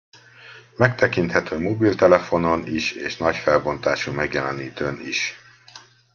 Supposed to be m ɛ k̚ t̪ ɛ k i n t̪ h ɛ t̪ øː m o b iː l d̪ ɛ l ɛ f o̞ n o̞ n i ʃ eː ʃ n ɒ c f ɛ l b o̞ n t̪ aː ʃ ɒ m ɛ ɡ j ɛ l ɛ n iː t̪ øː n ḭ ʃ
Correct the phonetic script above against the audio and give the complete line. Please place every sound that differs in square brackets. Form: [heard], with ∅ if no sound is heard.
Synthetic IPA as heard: m ɛ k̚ t̪ ɛ k i n t̪ h ɛ t̪ øː m o b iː l [t̪] ɛ l ɛ f o̞ n o̞ n i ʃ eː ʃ n ɒ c f ɛ l b o̞ n t̪ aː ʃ [u] m ɛ ɡ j ɛ l ɛ n iː t̪ øː n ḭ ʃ